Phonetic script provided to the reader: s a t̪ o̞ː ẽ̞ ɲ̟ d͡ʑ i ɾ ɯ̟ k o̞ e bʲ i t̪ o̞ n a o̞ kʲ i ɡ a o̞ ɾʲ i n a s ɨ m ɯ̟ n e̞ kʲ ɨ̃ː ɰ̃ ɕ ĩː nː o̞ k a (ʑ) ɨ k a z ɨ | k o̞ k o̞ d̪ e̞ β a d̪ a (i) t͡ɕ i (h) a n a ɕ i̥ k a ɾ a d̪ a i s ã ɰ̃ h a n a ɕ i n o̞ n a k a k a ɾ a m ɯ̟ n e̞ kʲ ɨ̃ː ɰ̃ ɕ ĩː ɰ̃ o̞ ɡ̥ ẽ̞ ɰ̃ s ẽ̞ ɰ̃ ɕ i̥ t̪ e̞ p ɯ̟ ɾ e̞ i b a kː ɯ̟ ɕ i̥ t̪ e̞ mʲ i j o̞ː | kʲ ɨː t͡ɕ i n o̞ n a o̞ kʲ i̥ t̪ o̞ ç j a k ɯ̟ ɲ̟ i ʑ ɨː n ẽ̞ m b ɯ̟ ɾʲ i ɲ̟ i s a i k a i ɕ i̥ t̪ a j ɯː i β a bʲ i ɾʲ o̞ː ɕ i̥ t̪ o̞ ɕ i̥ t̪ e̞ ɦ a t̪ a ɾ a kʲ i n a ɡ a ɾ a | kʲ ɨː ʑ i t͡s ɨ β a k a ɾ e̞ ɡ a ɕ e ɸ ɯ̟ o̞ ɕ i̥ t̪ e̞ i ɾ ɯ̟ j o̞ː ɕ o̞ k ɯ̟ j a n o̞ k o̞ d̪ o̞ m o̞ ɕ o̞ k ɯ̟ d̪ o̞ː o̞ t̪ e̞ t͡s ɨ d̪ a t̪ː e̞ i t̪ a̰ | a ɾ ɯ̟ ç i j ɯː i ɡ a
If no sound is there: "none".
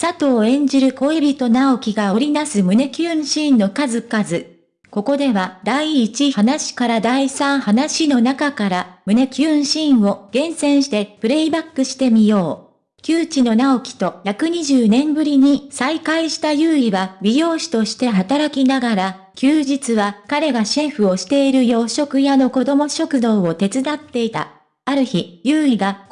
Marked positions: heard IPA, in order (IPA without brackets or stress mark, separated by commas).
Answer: z, iː, h